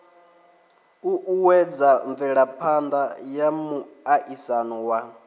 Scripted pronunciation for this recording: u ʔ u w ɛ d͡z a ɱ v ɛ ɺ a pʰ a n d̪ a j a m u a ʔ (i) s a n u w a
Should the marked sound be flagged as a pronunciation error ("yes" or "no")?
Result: no